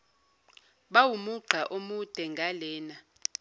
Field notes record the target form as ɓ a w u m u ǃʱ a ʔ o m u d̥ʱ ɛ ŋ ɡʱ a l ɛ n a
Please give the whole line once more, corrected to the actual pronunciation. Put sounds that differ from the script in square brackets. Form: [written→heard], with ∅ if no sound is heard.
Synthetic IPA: ɓ a w u m u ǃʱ a ʔ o m u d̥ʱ ɛ ŋ ɡʱ a l [ɛ→ɛː] n a